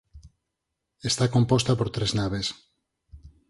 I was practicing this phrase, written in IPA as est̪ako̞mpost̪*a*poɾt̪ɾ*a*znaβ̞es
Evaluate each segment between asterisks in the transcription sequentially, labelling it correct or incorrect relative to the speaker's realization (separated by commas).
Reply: correct, incorrect